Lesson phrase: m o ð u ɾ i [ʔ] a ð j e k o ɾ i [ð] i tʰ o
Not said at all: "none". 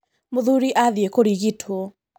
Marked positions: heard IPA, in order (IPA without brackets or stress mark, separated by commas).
ʔ, ɣ